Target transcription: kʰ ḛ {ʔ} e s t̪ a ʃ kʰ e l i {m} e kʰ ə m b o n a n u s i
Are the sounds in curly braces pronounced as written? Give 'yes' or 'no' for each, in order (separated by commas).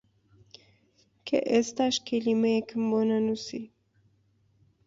yes, yes